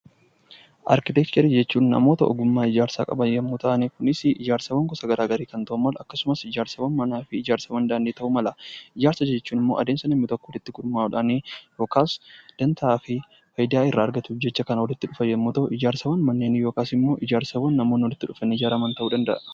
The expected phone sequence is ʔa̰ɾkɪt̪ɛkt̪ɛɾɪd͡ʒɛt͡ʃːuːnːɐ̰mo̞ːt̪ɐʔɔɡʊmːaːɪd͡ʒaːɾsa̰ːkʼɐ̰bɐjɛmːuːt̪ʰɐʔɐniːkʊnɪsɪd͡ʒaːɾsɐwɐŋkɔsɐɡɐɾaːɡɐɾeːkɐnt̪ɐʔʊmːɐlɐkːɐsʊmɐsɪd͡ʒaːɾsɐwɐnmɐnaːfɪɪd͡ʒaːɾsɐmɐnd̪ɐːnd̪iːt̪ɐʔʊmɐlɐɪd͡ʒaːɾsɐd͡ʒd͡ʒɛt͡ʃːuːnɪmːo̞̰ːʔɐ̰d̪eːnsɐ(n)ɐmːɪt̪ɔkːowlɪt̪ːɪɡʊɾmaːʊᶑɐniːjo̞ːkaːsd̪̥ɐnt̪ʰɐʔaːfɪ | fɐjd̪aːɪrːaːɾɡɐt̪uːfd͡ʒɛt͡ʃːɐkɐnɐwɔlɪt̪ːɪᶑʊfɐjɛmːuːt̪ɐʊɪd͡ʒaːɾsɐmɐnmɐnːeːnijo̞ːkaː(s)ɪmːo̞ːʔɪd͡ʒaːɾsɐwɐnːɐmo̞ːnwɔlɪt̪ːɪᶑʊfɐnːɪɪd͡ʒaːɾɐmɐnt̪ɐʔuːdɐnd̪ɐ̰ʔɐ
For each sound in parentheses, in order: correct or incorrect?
correct, correct

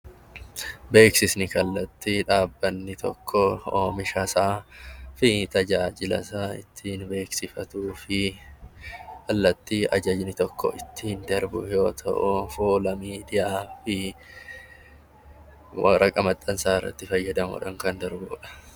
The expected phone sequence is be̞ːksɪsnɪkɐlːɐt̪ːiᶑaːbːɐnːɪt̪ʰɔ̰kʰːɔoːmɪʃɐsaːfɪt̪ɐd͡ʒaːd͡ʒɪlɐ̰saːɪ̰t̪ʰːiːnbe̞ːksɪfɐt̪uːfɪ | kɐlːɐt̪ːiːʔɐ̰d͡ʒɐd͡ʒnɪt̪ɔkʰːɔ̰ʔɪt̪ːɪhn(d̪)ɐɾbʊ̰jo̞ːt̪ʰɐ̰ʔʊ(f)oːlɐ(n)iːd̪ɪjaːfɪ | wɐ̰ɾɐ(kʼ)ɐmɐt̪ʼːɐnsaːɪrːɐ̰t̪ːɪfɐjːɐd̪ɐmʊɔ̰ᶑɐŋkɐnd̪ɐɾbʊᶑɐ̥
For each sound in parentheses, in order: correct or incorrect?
correct, correct, incorrect, correct

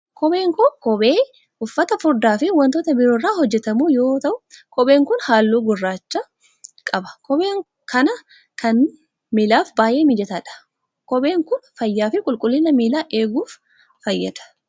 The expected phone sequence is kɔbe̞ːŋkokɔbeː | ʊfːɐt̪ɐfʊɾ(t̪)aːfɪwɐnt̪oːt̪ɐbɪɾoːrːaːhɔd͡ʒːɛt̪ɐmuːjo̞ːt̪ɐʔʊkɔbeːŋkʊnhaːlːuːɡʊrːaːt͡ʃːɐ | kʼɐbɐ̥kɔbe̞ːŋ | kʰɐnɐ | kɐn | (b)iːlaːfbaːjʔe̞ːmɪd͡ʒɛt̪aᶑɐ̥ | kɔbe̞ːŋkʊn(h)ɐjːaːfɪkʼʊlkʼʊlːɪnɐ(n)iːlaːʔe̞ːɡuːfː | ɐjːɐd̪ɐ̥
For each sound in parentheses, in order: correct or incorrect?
incorrect, incorrect, incorrect, incorrect

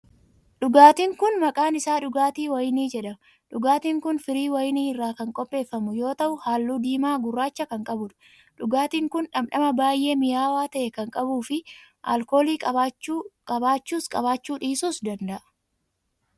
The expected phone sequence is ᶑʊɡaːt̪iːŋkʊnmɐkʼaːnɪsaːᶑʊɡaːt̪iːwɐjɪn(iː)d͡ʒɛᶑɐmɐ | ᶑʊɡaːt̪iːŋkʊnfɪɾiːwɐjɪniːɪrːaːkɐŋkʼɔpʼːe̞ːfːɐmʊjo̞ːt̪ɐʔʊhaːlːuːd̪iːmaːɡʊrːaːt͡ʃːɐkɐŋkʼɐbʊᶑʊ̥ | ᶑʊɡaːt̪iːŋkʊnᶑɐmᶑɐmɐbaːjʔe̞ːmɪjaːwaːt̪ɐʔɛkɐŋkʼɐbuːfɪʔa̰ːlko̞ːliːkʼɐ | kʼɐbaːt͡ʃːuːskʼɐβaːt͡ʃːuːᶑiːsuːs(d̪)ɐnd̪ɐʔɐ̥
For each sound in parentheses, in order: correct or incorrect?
correct, correct

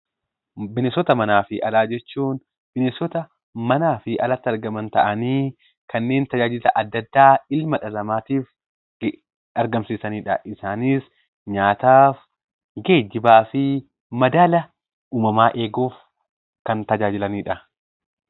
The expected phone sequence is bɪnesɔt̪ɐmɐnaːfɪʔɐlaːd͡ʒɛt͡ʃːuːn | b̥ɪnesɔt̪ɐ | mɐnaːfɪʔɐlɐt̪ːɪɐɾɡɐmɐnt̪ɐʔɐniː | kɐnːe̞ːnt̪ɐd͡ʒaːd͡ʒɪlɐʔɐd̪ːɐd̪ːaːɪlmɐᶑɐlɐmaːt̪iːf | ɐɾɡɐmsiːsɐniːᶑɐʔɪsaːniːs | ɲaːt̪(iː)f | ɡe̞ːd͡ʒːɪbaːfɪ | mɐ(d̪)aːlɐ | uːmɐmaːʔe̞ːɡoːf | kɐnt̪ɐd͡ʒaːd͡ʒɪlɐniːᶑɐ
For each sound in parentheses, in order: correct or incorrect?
incorrect, correct

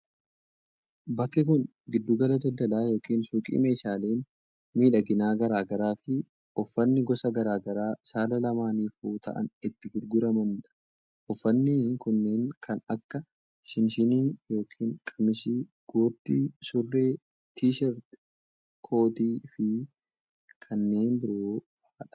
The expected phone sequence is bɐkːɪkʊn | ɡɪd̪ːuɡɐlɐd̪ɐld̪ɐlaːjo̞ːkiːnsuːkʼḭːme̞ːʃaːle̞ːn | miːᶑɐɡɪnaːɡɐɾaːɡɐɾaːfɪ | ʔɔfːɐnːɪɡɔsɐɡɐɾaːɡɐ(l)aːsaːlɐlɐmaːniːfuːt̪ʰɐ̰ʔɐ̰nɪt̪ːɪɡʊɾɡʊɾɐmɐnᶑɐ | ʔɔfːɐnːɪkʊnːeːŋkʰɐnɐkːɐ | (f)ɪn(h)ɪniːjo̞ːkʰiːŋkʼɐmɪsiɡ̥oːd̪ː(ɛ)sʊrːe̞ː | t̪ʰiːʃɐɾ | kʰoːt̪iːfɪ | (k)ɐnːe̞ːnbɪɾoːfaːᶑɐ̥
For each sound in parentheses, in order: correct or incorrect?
incorrect, incorrect, incorrect, incorrect, incorrect

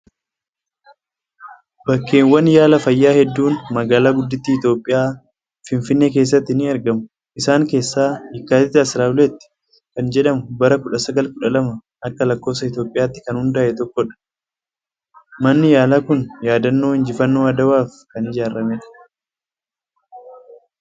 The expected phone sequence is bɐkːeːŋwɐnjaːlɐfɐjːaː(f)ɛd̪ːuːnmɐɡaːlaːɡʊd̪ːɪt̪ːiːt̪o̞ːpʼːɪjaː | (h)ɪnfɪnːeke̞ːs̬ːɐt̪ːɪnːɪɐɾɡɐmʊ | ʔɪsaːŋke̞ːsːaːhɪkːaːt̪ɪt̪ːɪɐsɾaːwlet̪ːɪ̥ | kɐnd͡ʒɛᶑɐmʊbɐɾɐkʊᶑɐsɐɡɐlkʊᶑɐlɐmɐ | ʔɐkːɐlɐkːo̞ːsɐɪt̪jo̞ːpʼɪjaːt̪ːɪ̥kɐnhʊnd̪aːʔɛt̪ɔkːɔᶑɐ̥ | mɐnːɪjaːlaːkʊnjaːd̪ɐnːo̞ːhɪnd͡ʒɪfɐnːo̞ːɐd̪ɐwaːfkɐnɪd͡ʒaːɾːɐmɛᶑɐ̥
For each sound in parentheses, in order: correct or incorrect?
incorrect, incorrect

